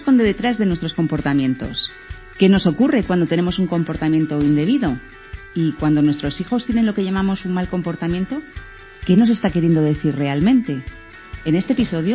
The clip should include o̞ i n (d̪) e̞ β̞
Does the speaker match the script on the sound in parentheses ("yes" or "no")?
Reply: yes